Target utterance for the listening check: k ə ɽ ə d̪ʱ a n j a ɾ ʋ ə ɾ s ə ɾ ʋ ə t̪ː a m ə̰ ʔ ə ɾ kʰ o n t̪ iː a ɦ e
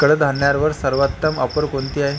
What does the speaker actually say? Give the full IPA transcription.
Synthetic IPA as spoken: k ə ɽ ə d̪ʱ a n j a ɾ ʋ ə ɾ s ə ɾ ʋ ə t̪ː ə m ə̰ p ə ɾ k o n t̪ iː a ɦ e